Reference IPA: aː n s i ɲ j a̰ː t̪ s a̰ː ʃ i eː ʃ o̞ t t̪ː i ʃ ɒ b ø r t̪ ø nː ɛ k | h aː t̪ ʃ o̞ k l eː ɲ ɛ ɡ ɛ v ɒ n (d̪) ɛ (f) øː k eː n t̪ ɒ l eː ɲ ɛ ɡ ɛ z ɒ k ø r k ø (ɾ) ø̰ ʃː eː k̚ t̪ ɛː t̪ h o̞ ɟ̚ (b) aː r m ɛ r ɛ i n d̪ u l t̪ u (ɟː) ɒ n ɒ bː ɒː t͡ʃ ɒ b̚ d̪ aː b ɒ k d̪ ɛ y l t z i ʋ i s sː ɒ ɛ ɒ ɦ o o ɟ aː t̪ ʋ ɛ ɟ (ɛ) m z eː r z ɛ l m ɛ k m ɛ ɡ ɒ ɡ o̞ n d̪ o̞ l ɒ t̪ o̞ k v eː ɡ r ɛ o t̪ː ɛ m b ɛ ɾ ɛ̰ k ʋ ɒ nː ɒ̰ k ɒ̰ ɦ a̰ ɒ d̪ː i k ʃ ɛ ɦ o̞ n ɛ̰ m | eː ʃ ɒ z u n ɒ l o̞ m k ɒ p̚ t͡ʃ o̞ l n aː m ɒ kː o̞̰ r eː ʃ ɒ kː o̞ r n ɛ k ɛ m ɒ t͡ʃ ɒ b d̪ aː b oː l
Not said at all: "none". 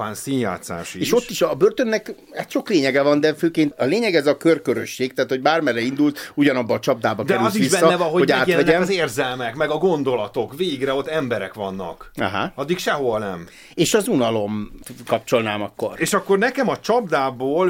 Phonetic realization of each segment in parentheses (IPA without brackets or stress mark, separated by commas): d̪, f, ɾ, b, ɟ, ɛ